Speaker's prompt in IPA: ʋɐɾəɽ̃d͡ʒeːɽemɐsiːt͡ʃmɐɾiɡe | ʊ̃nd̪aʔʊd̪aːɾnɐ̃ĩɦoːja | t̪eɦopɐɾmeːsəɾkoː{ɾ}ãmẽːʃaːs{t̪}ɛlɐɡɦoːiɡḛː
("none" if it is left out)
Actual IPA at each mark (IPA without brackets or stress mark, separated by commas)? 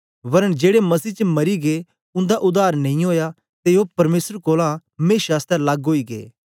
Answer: l, t̪